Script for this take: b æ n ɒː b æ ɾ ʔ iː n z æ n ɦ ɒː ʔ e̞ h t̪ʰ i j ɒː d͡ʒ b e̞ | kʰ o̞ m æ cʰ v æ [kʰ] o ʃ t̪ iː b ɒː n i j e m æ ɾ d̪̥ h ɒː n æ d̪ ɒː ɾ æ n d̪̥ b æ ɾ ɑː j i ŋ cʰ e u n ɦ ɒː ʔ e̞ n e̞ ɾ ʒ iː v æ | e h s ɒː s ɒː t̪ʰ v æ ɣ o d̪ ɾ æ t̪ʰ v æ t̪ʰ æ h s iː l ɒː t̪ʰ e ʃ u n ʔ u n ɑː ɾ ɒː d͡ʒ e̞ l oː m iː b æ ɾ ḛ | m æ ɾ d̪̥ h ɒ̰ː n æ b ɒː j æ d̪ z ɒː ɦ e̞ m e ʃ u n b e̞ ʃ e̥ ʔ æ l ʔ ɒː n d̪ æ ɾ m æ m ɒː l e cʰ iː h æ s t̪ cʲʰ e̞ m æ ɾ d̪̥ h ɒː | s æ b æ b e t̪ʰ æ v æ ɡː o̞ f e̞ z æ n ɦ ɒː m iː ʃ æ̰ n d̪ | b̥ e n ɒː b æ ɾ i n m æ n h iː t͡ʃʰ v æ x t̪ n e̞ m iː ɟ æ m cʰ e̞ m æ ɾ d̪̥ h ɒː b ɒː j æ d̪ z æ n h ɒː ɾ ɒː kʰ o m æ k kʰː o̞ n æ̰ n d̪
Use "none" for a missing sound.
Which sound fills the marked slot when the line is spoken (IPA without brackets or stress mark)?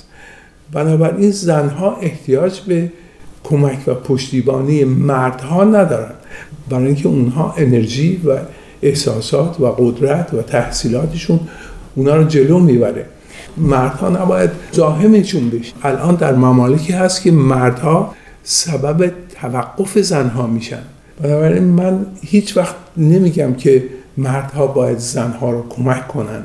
pʰ